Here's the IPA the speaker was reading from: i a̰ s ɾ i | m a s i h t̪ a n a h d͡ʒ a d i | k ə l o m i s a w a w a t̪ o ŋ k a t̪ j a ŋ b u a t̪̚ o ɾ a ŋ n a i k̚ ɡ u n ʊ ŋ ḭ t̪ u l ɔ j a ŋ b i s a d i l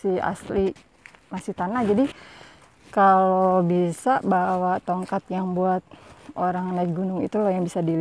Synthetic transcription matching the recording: i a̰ s l i | m a s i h t̪ a n a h d͡ʒ a d i | k a l o b i s a b a w a t̪ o ŋ k a t̪ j a ŋ b u a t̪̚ o ɾ a ŋ n a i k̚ ɡ u n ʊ ŋ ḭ t̪ u l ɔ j a ŋ b i s a d i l